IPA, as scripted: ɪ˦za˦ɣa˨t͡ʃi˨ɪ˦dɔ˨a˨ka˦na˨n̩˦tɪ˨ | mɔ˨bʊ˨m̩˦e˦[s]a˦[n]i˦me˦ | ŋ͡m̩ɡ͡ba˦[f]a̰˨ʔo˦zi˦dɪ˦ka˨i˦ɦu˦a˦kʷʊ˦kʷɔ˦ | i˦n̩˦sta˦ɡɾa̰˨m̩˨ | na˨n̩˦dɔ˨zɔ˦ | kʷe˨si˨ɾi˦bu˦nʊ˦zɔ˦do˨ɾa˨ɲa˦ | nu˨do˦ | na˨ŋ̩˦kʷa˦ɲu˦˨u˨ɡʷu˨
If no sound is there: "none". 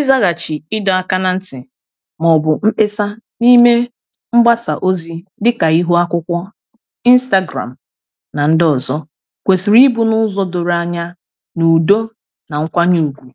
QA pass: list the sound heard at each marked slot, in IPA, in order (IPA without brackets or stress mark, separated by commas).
s, n, s